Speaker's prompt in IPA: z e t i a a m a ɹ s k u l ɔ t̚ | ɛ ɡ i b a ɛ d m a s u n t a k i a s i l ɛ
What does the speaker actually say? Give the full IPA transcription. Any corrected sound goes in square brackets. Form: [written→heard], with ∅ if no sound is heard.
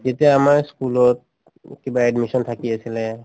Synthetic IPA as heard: z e t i a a m a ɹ s k u l ɔ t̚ | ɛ [ɡ→k] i b a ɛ d m [a→i] s [u→ɔ] n [t→tʰ] a k i a s i l ɛ

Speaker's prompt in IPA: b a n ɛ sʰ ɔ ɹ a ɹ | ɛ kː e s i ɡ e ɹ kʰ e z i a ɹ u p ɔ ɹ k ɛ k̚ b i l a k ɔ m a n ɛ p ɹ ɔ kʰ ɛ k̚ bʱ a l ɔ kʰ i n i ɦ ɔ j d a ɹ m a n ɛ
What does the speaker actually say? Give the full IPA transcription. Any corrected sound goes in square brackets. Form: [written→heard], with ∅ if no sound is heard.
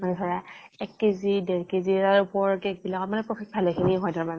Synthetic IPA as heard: [b→m] a n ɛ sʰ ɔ ɹ a [ɹ→∅] | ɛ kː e [s→z] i [ɡ→d] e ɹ [kʰ→k] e z i a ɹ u p ɔ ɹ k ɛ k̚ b i l a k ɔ m a n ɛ p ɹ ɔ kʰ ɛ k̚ bʱ a l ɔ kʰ i n i ɦ ɔ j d a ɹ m a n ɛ

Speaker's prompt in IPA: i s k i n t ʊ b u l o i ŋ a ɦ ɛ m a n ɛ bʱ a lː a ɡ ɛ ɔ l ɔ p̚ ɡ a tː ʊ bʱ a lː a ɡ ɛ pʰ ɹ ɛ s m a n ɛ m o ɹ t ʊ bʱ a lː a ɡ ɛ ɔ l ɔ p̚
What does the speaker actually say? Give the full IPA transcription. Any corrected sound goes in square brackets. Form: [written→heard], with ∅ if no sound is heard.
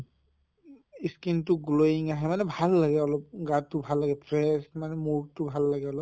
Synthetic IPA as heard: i s k i n t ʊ [b→ɡ] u l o i ŋ a ɦ ɛ m a n ɛ bʱ a lː a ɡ ɛ ɔ l ɔ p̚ ɡ a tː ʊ bʱ a lː a ɡ ɛ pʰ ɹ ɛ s m a n ɛ m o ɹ t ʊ bʱ a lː a ɡ ɛ ɔ l ɔ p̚

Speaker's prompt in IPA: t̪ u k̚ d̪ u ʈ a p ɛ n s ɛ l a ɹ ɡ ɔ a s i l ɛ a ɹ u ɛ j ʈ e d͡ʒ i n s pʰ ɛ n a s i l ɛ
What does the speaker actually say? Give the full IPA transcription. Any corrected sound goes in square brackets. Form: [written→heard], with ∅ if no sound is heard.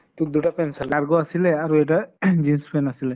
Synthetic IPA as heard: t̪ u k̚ d̪ u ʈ a p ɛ n s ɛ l a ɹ ɡ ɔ a s i l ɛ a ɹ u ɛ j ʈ [e→a] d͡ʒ i n s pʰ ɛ n a s i l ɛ

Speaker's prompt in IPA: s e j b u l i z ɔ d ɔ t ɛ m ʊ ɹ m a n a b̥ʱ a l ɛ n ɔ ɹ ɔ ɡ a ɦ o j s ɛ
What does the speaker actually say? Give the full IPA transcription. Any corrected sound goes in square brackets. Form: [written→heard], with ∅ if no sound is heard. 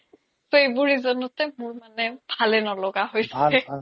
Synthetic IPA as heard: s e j b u [l→ɹ] i z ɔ [d→n] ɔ t ɛ m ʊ ɹ m a n [a→ɛ] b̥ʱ a l ɛ n ɔ [ɹ→l] ɔ ɡ a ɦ o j s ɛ

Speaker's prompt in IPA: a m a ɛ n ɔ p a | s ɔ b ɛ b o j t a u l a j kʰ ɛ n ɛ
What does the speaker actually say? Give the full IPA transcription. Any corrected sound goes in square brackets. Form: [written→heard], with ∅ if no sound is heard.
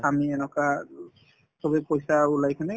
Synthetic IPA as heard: a m [a→i] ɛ n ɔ [p→k] a | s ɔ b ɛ [b→p] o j [t→s] a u l a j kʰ [ɛ→a] n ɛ

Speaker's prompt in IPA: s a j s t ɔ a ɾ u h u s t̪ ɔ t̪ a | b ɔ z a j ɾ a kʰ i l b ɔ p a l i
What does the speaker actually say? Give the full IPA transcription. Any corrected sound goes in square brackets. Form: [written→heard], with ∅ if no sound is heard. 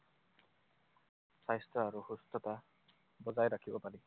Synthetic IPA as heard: s a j s t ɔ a ɾ u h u s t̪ ɔ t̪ a | b ɔ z a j ɾ a kʰ i [l→∅] b ɔ p a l i

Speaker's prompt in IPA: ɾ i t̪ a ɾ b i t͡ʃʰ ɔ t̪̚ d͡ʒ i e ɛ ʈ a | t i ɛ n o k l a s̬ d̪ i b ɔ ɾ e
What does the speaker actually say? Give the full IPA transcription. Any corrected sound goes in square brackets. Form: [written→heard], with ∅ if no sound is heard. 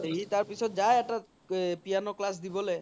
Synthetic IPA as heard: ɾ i t̪ a ɾ [b→p] i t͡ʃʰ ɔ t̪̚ d͡ʒ [i→a] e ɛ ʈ a | [t→p] i [ɛ→a] n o k l a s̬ d̪ i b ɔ [ɾ→l] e

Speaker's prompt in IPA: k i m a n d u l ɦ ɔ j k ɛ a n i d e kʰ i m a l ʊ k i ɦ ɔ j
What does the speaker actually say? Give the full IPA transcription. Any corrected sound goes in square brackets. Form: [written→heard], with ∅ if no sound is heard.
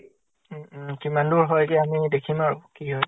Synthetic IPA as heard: k i m a n d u [l→ɹ] ɦ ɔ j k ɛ a [n→m] i d e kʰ i m a [l→ɹ] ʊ k i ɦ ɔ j

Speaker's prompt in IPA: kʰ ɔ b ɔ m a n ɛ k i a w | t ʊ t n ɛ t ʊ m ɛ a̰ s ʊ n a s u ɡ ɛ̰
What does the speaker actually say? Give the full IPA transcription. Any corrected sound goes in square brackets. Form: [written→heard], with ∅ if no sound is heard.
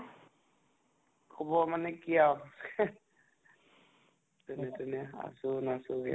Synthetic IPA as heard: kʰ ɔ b ɔ m a n ɛ k i a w | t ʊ [t→∅] n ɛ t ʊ [m→n] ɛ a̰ s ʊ n a s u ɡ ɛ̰

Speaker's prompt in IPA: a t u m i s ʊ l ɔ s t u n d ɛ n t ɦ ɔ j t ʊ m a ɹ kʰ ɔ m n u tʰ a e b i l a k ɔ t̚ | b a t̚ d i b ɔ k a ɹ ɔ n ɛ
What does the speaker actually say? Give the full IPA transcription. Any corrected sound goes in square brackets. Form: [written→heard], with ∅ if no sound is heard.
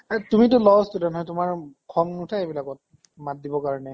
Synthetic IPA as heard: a t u m i [s→t] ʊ l ɔ s t u [n→∅] d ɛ n t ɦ ɔ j t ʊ m a ɹ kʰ ɔ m n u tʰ a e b i l a k ɔ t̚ | [b→m] a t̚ d i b ɔ k a ɹ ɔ n ɛ

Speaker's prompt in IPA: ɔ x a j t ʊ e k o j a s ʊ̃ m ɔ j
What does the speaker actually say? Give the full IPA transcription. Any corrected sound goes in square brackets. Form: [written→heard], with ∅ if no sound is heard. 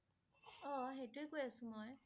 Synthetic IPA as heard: ɔ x [a→e] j t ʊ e k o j a s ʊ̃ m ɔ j

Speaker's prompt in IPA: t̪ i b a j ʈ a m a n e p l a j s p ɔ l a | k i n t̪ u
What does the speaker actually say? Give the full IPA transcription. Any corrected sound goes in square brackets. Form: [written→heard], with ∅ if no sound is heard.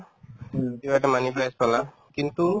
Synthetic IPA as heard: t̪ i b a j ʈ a m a n [e→i] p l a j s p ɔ l a | k i n t̪ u

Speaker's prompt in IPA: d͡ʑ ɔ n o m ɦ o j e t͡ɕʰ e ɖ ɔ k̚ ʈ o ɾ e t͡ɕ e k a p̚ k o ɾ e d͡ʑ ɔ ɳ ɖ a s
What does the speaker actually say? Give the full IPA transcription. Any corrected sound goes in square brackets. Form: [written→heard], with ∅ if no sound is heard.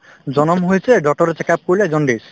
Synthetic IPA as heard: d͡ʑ ɔ n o m ɦ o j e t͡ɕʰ e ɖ ɔ k̚ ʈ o ɾ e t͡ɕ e k a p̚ k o [ɾ→l] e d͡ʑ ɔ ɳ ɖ [a→i] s

